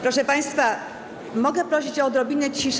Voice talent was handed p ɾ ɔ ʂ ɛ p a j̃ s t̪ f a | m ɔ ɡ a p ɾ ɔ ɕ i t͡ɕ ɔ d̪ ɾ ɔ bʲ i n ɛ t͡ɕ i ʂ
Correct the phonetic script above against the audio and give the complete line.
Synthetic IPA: p ɾ ɔ ʂ ɛ p a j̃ s t̪ f a | m ɔ ɡ ɛ p ɾ ɔ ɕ i t͡ɕ ɔ d̪ ɾ ɔ bʲ i n ɛ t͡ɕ i ʂ